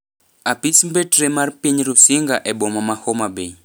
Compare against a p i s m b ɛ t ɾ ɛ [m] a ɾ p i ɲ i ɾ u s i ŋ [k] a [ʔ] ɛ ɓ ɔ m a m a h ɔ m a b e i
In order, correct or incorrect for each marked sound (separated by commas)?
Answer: correct, incorrect, correct